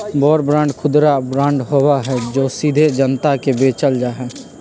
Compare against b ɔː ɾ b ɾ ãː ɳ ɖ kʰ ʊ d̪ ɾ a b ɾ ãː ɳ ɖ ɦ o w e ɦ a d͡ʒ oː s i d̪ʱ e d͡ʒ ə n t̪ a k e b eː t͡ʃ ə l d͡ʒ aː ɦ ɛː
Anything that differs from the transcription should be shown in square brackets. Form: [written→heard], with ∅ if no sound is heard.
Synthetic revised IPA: b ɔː ɾ b ɾ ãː ɳ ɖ kʰ ʊ d̪ ɾ a b ɾ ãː ɳ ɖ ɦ o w [e→a] ɦ [a→ɛ] d͡ʒ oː s i d̪ʱ e d͡ʒ ə n t̪ a k e b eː t͡ʃ ə l d͡ʒ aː ɦ ɛː